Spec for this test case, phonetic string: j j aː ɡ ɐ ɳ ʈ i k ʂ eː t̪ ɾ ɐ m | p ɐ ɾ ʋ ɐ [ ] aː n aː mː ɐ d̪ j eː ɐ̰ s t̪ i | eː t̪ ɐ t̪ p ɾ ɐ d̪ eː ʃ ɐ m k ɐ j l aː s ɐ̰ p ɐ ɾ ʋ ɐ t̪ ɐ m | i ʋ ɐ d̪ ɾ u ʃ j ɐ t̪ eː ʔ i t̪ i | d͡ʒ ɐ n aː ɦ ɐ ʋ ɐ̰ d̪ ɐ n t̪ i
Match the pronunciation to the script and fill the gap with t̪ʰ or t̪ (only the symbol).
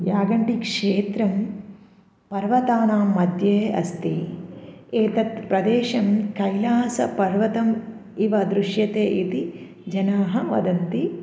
t̪